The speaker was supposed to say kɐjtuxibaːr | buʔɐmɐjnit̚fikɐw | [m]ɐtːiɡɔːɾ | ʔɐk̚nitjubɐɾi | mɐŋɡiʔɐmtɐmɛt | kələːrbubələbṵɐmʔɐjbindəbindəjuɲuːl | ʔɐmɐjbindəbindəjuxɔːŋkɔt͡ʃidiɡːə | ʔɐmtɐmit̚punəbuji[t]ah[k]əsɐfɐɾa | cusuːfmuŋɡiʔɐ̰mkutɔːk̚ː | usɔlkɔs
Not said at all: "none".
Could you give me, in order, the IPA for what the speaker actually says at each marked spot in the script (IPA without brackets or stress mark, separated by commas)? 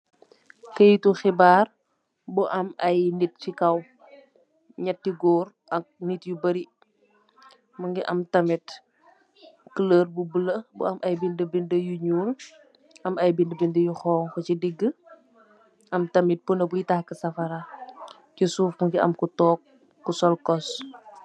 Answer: ɲ, t, k